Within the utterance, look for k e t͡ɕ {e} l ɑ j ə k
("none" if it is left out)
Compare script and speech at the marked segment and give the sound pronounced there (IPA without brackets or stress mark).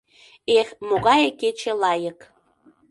e